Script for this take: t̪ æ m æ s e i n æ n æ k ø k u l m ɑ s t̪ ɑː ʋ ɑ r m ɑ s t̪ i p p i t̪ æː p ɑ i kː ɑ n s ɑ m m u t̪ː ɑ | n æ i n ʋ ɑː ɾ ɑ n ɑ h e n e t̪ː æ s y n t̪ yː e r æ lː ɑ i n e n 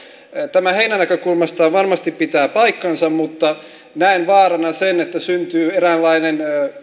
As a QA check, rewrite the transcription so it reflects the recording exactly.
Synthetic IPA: t̪ æ m æ h e i n æ n æ k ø k u l m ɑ s t̪ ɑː ʋ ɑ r m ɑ s t̪ i p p i t̪ æː p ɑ i kː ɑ n s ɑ m m u t̪ː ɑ | n æ i n ʋ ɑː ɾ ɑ n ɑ s e n e t̪ː æ s y n t̪ yː e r æ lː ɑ i n e n